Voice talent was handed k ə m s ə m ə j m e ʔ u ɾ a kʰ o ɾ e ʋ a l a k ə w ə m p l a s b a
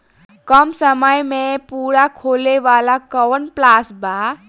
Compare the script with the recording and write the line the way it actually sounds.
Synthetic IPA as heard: k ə m s ə m ə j m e p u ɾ a kʰ o l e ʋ a l a k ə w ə n p l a s b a